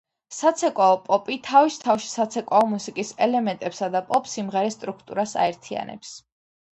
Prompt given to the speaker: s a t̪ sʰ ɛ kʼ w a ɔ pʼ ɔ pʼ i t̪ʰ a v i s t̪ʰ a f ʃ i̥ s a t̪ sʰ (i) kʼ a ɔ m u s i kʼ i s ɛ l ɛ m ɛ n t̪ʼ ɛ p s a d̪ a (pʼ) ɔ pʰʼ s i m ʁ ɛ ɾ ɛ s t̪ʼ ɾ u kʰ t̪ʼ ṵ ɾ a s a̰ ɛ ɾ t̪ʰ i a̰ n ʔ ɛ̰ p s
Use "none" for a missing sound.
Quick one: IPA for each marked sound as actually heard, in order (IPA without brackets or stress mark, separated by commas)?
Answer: ɛ, pʼ